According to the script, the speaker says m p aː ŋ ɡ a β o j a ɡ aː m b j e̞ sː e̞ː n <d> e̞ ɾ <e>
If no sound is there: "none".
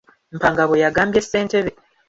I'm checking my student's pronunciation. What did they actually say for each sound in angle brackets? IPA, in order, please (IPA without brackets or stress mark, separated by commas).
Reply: t, e